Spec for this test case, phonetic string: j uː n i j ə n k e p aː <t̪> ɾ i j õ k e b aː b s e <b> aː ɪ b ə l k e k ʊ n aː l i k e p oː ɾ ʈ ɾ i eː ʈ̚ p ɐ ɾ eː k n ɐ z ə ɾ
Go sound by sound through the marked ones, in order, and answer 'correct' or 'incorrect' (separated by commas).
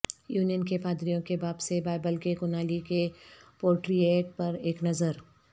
incorrect, correct